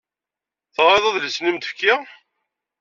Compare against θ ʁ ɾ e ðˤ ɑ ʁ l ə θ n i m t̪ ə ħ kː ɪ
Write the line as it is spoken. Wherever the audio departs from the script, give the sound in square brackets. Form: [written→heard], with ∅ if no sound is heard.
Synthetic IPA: θ ʁ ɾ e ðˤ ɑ [ʁ→ð] l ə [θ→s] n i m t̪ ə [ħ→f] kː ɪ